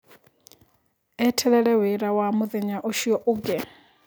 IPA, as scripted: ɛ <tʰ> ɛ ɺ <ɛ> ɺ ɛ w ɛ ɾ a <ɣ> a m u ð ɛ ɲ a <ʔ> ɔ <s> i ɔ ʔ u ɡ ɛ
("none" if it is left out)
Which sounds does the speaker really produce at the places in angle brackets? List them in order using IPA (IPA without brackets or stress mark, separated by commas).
tʰ, ɛ, w, ʔ, ʃ